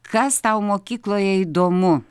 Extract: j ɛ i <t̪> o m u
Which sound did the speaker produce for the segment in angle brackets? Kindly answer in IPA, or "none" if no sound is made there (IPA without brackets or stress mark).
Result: d̪